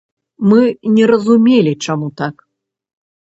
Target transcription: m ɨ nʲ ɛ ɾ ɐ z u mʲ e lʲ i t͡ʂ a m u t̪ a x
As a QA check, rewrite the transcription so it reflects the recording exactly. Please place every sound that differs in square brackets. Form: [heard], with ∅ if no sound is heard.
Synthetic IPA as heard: m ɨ nʲ ɛ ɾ ɐ z u mʲ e lʲ i t͡ʂ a m u t̪ a [k]